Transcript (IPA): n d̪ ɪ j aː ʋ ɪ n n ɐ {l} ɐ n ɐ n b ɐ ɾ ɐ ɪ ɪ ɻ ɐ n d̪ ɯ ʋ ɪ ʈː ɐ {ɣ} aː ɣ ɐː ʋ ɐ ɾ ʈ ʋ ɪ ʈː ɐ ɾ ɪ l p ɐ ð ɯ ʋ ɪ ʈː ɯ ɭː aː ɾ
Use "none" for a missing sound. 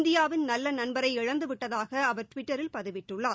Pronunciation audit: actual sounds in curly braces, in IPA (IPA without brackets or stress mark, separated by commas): lː, ð